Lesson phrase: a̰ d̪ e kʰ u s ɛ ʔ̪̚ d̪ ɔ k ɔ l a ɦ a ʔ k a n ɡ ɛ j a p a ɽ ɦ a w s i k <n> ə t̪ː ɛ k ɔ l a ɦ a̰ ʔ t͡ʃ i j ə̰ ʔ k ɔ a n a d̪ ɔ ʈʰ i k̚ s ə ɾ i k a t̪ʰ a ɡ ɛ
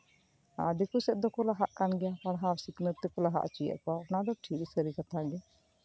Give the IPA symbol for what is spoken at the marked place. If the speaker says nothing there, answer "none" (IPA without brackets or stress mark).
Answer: n